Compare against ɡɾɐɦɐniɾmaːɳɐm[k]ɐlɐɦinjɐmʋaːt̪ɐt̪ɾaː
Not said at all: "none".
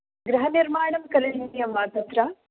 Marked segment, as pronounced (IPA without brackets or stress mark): k